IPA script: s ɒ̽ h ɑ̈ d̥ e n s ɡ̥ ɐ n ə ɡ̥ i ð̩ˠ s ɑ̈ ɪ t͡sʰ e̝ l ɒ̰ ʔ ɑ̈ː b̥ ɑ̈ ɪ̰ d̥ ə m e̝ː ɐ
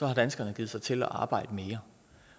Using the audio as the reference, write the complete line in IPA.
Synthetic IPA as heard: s ɒ̽ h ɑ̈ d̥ æ n s ɡ̥ ɐ n ə ɡ̥ i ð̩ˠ s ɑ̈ ɪ t͡sʰ e̝ l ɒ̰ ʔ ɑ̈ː b̥ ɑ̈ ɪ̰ d̥ ə m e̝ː ɐ